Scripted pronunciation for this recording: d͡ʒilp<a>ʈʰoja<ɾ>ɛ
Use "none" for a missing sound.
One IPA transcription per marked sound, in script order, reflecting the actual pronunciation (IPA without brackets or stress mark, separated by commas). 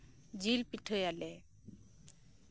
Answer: i, l